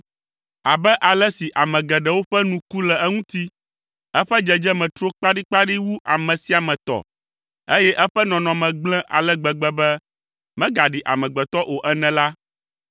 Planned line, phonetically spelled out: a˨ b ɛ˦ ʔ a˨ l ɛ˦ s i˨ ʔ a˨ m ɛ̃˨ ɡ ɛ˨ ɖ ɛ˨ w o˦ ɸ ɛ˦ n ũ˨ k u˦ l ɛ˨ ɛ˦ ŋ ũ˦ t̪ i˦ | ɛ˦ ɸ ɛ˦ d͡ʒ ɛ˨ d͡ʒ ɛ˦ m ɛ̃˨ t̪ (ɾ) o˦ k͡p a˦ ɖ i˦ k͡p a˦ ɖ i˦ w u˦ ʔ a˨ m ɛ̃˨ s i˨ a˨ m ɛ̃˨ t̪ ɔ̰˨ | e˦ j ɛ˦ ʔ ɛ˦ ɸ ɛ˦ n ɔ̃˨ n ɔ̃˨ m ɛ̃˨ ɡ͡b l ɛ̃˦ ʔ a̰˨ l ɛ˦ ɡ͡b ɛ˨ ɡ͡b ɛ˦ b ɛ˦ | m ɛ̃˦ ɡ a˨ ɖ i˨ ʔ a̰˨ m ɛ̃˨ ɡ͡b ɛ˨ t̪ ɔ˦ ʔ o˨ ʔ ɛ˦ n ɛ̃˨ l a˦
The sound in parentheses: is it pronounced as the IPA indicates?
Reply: yes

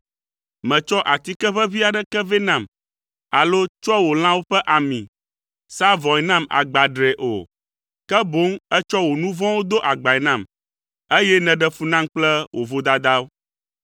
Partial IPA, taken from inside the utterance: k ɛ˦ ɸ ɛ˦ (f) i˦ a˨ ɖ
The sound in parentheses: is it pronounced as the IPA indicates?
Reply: no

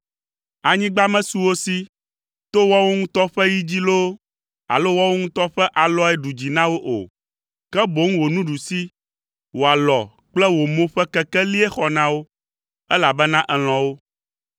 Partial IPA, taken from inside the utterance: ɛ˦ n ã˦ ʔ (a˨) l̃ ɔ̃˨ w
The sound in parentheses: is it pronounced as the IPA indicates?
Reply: no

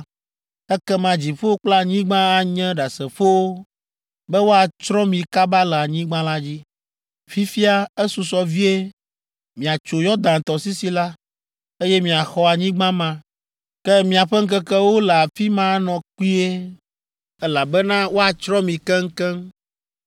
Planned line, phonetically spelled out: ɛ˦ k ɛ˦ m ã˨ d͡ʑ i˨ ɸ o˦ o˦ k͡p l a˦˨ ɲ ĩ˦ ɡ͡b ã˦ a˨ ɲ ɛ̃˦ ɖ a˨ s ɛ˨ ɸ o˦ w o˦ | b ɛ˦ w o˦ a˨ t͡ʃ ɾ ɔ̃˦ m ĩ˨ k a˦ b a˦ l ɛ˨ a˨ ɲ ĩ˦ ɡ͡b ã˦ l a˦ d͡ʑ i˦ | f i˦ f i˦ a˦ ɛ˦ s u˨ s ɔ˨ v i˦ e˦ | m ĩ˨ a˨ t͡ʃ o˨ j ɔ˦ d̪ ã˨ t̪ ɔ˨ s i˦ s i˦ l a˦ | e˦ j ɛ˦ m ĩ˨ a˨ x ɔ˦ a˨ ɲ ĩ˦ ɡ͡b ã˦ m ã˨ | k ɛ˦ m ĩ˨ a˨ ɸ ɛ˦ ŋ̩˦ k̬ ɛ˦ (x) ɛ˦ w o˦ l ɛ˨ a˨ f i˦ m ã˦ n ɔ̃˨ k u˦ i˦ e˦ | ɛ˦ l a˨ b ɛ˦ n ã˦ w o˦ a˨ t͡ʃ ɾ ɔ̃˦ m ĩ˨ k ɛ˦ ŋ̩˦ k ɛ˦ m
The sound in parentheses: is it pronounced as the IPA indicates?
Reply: no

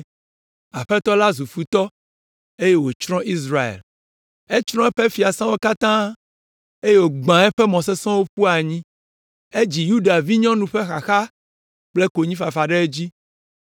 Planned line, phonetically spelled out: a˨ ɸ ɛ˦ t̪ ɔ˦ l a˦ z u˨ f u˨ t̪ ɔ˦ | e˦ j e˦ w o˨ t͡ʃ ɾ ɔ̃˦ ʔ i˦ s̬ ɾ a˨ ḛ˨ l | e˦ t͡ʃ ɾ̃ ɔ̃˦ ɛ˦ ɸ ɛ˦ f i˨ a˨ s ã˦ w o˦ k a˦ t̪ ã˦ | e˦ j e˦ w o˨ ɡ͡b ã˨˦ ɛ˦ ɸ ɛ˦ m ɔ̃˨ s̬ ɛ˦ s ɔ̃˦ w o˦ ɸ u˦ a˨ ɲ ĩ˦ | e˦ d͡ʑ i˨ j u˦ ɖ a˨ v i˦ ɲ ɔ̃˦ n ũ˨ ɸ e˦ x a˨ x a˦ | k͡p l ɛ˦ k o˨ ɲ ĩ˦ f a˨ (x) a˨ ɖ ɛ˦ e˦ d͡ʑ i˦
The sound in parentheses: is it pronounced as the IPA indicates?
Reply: no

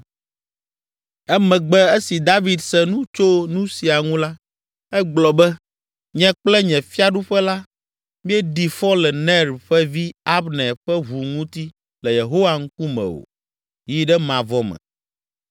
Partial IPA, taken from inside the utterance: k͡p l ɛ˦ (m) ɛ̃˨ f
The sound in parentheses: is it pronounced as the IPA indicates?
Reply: no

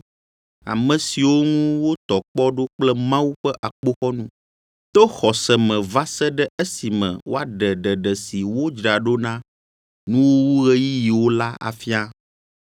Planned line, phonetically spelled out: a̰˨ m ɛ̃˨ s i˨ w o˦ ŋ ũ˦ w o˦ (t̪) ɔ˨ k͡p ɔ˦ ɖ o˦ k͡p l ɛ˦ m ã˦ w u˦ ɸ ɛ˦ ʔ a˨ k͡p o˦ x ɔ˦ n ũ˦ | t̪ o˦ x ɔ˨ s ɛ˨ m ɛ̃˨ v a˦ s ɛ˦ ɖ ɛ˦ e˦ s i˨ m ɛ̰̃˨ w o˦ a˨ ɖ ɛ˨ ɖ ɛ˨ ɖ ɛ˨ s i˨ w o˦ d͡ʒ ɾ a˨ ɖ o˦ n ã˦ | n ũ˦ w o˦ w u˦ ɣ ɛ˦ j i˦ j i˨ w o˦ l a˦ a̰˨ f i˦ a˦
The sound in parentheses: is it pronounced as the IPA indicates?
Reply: yes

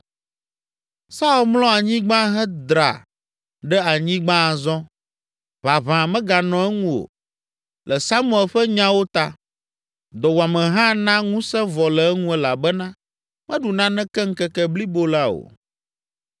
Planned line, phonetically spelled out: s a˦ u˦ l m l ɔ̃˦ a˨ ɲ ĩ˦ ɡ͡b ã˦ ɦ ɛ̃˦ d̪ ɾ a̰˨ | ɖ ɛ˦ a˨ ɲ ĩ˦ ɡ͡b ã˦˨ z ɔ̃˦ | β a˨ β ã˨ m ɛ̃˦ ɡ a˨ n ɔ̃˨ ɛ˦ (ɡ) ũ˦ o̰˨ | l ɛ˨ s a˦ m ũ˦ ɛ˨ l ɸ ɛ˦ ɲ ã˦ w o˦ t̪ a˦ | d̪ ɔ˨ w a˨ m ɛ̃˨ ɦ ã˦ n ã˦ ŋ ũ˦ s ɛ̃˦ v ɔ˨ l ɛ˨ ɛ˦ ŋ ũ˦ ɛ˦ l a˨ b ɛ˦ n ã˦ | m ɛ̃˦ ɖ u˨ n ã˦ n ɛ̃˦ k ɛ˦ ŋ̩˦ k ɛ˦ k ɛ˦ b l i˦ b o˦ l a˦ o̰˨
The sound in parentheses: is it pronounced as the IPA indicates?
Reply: no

